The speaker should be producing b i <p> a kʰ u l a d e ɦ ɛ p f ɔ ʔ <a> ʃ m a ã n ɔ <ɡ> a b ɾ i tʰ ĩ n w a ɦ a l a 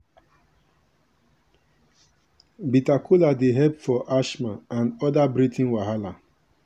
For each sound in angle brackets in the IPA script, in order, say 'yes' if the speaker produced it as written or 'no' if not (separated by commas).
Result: no, yes, no